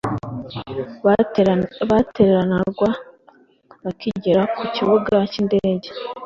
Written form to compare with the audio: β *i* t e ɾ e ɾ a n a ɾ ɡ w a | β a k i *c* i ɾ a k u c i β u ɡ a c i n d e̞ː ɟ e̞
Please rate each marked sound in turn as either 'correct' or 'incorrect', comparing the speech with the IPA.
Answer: incorrect, incorrect

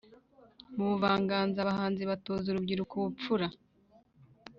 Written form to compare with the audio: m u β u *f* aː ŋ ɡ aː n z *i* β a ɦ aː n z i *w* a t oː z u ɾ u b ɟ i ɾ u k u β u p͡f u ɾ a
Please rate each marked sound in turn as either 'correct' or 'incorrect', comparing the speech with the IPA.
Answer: incorrect, incorrect, incorrect

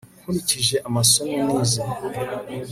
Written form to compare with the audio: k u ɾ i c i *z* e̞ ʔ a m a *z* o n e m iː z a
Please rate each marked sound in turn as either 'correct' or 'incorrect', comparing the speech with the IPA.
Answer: incorrect, incorrect

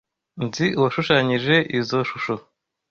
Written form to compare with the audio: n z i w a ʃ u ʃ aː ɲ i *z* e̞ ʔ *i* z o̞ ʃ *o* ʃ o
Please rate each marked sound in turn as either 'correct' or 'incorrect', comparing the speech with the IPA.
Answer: incorrect, correct, incorrect

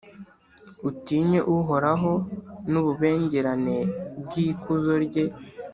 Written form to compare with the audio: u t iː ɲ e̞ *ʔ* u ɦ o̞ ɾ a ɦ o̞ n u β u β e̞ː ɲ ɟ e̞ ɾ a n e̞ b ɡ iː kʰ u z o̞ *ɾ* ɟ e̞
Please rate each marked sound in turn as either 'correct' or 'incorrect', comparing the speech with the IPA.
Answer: correct, correct

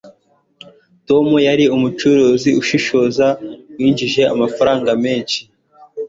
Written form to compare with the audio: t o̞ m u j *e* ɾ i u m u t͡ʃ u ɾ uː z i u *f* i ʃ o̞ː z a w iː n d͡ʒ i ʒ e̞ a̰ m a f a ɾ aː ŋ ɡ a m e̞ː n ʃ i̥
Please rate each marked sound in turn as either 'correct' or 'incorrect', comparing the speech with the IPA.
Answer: incorrect, incorrect

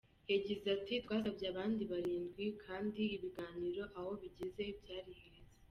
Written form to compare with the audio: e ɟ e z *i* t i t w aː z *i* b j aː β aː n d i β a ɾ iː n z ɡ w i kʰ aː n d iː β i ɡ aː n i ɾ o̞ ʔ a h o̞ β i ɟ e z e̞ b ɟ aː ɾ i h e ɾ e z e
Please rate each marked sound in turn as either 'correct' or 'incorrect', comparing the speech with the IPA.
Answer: incorrect, incorrect

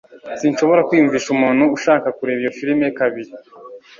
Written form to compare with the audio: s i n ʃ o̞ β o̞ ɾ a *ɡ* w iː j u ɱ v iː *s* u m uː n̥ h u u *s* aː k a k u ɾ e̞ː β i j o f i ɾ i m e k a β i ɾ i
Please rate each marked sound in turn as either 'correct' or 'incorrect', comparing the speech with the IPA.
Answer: incorrect, incorrect, incorrect

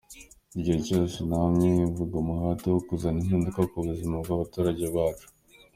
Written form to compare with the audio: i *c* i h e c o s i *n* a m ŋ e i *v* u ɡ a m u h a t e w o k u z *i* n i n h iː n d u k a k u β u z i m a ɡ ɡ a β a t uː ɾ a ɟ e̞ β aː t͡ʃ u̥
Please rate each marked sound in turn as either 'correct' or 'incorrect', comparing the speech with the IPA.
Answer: incorrect, correct, correct, incorrect

